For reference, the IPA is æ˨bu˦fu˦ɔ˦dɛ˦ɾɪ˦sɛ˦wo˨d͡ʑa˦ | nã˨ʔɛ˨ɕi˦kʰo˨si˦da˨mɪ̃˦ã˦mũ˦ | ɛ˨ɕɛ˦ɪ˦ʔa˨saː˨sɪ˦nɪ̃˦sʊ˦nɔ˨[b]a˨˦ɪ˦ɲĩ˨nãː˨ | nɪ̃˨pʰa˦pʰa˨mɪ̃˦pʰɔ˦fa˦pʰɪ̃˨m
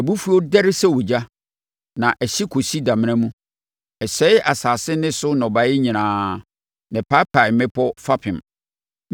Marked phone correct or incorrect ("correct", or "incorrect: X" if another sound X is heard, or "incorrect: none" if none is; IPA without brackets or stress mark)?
correct